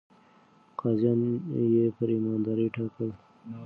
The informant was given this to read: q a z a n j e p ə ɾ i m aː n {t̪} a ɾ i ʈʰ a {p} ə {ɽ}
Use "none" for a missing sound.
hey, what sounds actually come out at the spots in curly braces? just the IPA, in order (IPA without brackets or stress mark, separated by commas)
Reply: d̪, k, l